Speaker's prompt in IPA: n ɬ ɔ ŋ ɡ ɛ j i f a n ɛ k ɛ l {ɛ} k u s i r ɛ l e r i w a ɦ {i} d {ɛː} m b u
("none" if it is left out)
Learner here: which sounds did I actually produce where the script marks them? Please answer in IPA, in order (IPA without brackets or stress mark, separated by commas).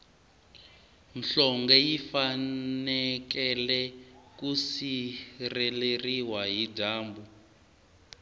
ɛ, i, aː